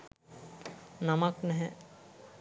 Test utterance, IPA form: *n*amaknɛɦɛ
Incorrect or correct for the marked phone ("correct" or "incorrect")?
correct